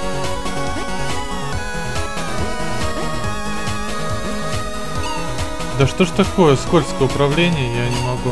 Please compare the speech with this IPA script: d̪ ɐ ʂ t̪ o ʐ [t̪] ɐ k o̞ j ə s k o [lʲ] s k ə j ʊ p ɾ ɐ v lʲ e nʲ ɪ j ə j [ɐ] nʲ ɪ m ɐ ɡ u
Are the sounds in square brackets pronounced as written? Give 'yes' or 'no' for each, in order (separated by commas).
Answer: yes, yes, no